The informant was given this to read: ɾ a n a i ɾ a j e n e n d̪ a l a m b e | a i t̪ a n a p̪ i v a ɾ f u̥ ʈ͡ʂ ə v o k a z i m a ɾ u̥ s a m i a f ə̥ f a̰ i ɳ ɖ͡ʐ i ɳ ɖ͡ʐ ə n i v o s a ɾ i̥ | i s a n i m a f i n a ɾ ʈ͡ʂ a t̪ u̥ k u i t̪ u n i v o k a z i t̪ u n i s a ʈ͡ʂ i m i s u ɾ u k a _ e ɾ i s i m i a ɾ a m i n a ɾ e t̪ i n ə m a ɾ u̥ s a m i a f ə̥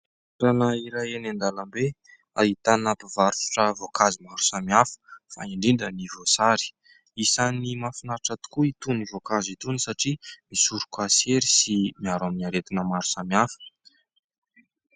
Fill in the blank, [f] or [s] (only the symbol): s